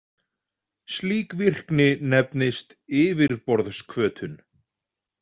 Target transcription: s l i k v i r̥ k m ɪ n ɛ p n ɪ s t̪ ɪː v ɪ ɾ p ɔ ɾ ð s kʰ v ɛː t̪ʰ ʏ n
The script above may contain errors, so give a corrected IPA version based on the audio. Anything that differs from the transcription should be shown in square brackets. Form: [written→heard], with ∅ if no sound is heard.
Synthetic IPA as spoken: s l [i→iː] k v i r̥ k [m→n] ɪ n ɛ p n ɪ s t̪ ɪː v ɪ ɾ p ɔ ɾ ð s kʰ v [ɛː→œː] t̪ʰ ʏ n

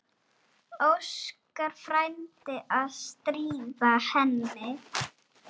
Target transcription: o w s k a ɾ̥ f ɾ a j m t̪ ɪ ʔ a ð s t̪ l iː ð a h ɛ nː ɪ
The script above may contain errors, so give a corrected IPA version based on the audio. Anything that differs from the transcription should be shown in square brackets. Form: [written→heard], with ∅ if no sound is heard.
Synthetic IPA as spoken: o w s k a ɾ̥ f ɾ a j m t̪ ɪ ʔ a ð s t̪ [l→ɾ] iː [ð→v] a h ɛ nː ɪ

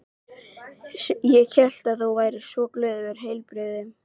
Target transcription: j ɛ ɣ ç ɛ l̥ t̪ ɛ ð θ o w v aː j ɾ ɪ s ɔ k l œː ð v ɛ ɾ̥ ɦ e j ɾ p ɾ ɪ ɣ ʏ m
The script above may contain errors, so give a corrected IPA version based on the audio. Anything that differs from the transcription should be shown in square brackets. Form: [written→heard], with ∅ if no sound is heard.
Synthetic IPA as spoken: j ɛ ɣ ç ɛ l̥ t̪ [ɛ→a] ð θ o w v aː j ɾ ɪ s ɔ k l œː ð v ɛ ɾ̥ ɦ e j [ɾ→l] p ɾ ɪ [ɣ→ð] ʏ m

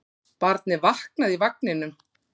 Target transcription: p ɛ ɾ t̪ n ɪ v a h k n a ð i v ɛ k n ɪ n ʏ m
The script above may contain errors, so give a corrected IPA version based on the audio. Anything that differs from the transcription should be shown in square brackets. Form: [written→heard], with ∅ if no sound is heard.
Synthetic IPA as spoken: p [ɛ→a] ɾ t̪ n ɪ v a h k n a ð i v [ɛ→a] k n ɪ n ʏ m

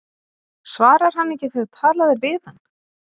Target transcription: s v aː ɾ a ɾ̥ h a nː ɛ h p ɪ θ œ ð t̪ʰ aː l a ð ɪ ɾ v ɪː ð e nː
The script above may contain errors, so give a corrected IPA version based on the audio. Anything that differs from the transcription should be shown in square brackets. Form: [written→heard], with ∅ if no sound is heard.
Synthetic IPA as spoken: s v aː ɾ a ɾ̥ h a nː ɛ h [p→c] ɪ θ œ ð t̪ʰ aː l a ð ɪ ɾ v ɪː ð [e→a] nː

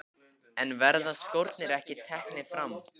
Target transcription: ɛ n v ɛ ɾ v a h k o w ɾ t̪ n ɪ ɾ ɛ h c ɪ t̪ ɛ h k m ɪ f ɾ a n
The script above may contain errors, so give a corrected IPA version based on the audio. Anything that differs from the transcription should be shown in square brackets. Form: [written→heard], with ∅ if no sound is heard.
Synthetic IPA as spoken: ɛ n v ɛ ɾ [v→ð] a [h→s] k o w ɾ t̪ n ɪ ɾ ɛ h c ɪ [t̪→t̪ʰ] ɛ h k [m→n] ɪ f ɾ a [n→m]

